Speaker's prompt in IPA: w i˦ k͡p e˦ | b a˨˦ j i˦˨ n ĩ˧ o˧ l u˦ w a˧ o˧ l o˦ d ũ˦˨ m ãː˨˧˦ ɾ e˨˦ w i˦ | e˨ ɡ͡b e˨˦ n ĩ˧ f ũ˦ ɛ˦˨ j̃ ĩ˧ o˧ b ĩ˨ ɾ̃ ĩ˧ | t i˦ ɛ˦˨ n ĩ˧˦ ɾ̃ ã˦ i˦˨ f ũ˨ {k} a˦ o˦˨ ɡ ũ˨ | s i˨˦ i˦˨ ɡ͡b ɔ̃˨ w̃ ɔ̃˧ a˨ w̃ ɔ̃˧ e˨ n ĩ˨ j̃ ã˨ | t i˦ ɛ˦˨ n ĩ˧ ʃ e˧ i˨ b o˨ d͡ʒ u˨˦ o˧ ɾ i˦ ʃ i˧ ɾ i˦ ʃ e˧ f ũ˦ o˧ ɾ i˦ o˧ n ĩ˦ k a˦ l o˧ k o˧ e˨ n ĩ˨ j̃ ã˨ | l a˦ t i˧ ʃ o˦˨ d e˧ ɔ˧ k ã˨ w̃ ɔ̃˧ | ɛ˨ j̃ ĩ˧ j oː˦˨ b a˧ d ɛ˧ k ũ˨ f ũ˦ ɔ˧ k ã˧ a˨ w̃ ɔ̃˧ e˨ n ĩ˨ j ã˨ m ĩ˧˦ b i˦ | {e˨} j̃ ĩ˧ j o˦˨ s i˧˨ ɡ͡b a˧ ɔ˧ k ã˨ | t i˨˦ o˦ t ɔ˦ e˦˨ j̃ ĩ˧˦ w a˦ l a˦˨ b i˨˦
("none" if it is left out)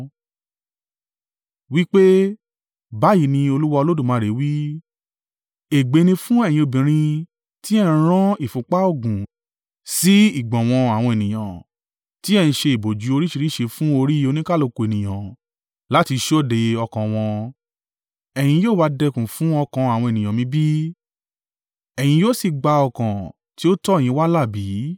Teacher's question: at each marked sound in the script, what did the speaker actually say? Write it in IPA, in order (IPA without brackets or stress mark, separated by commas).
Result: k͡p, ɛ˨